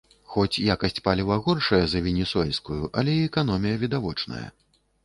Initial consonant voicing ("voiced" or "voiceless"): voiceless